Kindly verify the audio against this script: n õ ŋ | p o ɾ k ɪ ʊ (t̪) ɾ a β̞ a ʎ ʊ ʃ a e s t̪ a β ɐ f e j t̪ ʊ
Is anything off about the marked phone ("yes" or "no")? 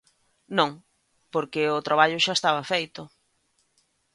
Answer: no